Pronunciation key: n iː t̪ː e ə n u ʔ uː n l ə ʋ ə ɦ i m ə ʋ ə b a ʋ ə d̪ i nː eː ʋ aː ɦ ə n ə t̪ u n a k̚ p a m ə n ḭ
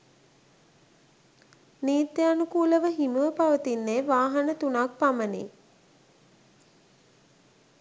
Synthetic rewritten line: n iː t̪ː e a n u k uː l ə ʋ ə ɦ i m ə ʋ ə p a ʋ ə t̪ i nː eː ʋ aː ɦ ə n ə t̪ u n a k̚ p a m ə n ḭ